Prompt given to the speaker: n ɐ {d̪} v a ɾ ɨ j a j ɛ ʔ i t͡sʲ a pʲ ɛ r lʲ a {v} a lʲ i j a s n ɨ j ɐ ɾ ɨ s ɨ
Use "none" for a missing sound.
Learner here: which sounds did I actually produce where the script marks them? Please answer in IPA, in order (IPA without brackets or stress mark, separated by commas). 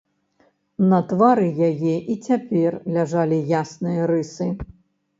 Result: t̪, ʐ